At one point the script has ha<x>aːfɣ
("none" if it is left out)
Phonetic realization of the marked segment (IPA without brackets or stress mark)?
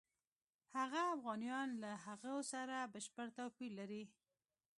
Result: ɣ